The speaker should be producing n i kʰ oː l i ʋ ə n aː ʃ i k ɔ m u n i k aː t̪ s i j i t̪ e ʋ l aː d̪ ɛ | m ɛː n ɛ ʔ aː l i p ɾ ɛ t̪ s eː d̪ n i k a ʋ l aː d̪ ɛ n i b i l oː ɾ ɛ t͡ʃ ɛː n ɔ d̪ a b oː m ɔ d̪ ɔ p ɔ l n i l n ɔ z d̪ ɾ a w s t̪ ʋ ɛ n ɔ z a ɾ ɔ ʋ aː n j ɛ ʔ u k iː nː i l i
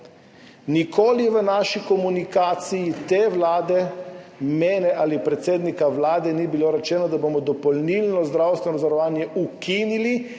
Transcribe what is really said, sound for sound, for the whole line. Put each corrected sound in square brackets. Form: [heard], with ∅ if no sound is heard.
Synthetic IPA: n i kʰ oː l i ʋ ə n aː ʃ i k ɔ m u n i k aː t̪ s i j i t̪ e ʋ l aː d̪ ɛ | m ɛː n ɛ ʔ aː l i p ɾ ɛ t̪ s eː d̪ n i k a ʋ l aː d̪ ɛ n i b i l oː ɾ ɛ t͡ʃ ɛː n ɔ d̪ a b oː m ɔ d̪ ɔ p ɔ l n i l n ɔ z d̪ ɾ a w s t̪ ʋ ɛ n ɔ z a ɾ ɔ ʋ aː n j ɛ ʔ u k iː [n] i l i